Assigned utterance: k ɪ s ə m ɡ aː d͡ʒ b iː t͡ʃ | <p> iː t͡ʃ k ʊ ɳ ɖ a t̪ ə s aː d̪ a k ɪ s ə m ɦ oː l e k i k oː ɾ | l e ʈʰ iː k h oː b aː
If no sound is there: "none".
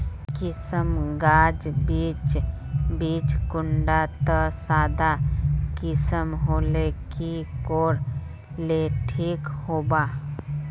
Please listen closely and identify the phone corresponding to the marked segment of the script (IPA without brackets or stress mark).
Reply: b